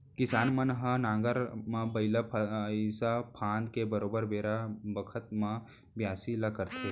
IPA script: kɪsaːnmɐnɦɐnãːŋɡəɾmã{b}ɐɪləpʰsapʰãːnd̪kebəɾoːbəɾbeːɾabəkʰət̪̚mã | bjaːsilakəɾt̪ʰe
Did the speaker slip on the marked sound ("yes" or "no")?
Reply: no